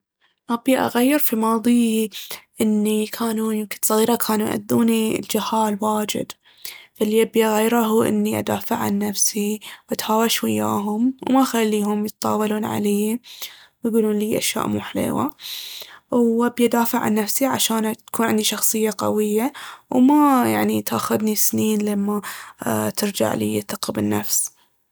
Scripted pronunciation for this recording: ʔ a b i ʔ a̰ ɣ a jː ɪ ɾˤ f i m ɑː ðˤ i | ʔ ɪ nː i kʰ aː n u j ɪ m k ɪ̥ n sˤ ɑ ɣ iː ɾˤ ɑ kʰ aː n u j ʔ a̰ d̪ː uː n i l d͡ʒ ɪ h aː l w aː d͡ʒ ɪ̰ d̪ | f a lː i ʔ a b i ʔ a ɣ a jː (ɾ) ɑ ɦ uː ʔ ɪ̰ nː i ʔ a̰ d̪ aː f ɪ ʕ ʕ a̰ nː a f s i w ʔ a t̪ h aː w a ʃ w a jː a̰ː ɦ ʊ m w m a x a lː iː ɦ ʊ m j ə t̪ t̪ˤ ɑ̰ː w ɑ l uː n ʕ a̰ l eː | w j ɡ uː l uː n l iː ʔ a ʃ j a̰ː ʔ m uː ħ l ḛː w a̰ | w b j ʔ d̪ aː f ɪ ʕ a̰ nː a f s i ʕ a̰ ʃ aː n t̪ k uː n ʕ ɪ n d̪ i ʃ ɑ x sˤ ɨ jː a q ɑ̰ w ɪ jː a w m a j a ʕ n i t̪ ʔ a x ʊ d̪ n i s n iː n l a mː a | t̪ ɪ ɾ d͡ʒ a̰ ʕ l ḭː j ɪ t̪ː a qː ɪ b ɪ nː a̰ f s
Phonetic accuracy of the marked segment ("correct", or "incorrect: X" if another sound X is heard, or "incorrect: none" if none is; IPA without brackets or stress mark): correct